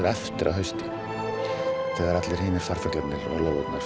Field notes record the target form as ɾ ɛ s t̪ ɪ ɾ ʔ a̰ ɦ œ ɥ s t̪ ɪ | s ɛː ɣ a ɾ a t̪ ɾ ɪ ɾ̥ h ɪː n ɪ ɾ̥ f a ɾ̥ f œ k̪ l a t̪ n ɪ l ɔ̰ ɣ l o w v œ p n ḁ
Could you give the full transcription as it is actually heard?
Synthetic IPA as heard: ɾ ɛ f t̪ ɪ ɾ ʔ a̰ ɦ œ ɥ s t̪ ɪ | θ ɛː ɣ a ɾ a t̪ l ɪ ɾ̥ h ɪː n ɪ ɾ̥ f a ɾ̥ f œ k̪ l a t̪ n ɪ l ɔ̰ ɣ l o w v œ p n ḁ

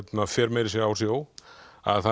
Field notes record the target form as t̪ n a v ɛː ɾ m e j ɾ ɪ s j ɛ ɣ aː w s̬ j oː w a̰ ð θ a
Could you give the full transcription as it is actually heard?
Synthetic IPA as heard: t̪ n a f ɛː ɾ m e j ɾ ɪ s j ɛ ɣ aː w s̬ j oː w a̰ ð θ a

